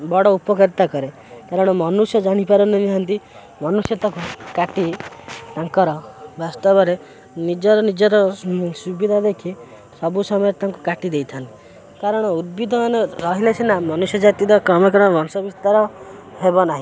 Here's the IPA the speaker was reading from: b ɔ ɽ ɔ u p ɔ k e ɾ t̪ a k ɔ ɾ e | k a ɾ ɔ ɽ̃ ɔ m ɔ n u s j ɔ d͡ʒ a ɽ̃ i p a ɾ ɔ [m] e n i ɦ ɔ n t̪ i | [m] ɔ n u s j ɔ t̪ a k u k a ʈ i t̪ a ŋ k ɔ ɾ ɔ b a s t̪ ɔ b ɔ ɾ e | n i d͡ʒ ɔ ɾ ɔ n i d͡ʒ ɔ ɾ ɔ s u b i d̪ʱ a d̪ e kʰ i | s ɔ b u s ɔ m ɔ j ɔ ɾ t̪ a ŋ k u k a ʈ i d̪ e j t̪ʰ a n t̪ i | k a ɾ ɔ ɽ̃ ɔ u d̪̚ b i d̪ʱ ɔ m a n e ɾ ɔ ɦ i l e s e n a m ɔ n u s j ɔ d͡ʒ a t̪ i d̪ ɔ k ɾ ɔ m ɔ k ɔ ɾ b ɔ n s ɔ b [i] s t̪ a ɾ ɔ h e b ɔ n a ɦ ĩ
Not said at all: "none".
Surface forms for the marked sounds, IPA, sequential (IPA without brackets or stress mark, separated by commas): n, m, i